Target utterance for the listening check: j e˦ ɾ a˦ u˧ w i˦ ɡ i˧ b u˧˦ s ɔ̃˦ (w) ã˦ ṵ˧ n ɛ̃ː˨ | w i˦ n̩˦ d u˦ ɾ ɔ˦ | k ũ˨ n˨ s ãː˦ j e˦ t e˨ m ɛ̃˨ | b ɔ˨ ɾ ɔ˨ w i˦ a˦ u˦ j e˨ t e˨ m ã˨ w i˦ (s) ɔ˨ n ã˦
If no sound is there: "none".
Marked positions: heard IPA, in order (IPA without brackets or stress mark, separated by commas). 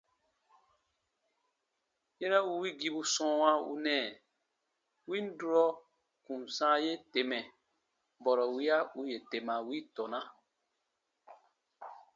w, t